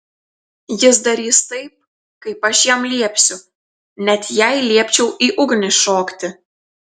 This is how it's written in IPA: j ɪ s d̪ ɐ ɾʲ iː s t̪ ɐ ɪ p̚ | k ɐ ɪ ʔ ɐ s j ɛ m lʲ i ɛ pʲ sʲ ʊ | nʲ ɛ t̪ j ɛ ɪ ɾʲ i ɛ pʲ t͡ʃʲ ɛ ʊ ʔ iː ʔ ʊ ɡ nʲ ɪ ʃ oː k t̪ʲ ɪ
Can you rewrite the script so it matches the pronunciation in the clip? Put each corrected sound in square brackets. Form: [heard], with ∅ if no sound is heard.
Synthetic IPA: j ɪ s d̪ ɐ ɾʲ iː s t̪ ɐ ɪ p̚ | k ɐ ɪ [p] ɐ [ʃ] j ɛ m lʲ i ɛ pʲ sʲ ʊ | nʲ ɛ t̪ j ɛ ɪ [lʲ] i ɛ pʲ t͡ʃʲ ɛ ʊ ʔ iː ʔ ʊ ɡ nʲ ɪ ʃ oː k t̪ʲ ɪ